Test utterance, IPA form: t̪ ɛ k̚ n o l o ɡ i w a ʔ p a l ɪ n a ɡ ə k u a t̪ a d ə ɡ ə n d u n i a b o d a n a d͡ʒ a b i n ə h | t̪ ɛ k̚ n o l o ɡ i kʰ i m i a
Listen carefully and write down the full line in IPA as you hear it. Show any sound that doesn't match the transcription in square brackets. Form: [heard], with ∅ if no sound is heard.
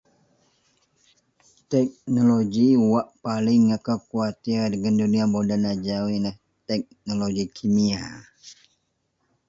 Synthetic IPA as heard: t̪ ɛ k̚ n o l o ɡ i w a ʔ p a l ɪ [ŋ] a [k] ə k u a t̪ [i] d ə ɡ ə n d u n i a b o d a n a d͡ʒ a [w] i n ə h | t̪ ɛ k̚ n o l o ɡ i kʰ i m i a